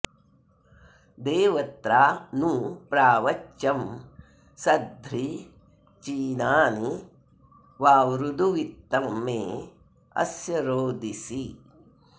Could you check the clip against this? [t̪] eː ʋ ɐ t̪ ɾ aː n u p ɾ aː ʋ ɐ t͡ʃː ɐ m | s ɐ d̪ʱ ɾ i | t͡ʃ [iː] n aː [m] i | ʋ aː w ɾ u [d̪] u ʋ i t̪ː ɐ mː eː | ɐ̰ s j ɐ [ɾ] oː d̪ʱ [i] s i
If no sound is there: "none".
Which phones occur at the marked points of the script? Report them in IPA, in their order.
d̪, iː, n, d̪, ɾ, i

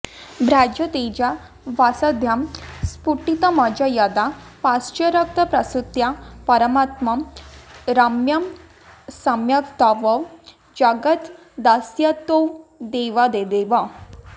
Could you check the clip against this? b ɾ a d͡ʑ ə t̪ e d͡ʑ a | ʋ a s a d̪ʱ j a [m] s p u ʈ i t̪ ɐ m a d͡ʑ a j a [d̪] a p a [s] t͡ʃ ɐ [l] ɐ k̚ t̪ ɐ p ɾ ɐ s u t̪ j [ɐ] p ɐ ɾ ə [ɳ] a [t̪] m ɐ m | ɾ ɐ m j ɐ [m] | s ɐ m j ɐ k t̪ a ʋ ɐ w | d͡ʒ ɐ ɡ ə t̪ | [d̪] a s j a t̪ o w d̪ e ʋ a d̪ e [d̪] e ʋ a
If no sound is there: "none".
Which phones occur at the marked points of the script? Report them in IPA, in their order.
m, d̪, s, ɾ, a, m, t̪, m, d̪, d̪

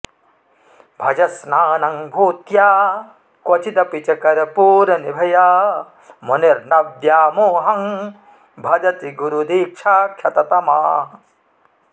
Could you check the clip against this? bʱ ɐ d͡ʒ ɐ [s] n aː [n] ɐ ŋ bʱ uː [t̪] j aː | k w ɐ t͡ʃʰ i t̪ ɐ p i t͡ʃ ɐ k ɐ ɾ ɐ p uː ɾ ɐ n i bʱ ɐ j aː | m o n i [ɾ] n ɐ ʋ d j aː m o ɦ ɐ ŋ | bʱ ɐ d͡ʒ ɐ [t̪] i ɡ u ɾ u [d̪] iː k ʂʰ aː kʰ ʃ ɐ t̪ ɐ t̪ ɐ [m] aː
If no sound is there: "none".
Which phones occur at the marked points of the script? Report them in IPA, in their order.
s, n, t̪, ɾ, t̪, d̪, m

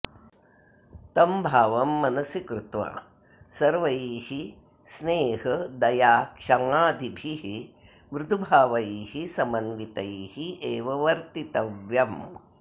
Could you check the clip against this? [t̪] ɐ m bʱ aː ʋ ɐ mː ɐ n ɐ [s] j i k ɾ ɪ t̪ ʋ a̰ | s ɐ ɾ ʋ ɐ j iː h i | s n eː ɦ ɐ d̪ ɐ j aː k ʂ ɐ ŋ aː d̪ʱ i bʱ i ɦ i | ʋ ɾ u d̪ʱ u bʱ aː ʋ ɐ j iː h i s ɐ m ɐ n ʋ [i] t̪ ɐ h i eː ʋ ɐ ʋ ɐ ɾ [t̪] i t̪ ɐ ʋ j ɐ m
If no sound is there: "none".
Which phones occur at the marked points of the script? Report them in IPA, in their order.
t̪, s, i, t̪

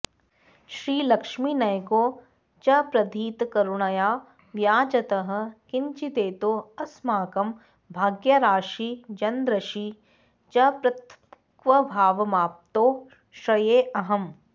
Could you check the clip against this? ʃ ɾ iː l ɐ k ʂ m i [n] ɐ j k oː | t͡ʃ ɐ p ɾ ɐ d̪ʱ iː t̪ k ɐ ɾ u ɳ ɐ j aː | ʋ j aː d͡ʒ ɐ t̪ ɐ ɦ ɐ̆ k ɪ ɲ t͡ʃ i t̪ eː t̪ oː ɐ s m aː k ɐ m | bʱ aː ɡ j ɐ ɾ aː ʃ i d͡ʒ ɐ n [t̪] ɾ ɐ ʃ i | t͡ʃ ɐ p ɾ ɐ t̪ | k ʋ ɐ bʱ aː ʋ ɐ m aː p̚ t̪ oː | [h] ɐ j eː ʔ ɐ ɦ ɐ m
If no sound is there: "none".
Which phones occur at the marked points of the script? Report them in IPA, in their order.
n, d̪, ʃ

